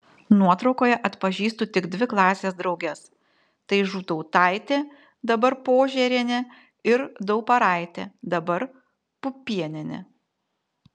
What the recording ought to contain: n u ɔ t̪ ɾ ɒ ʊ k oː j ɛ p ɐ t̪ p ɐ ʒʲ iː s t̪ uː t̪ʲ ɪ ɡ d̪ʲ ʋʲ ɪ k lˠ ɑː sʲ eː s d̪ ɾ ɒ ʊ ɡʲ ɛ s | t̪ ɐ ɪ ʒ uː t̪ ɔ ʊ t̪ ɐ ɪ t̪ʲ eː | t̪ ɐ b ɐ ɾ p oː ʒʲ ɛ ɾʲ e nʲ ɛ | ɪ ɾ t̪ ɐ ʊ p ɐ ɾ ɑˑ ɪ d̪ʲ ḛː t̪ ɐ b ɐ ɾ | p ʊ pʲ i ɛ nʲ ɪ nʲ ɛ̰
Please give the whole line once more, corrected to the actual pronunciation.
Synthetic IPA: n u ɔ t̪ ɾ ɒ ʊ k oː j ɛ ʔ ɐ t̪ p ɐ ʒʲ iː s t̪ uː t̪ʲ ɪ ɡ d̪ʲ ʋʲ ɪ k lˠ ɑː sʲ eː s d̪ ɾ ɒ ʊ ɡʲ ɛ s | t̪ ɐ ɪ ʒ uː t̪ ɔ ʊ t̪ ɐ ɪ t̪ʲ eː | d̪ ɐ b ɐ ɾ p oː ʒʲ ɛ ɾʲ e nʲ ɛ | ɪ ɾ d̪ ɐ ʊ p ɐ ɾ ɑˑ ɪ t̪ʲ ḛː d̪ ɐ b ɐ ɾ | p ʊ pʲ i ɛ nʲ ɪ nʲ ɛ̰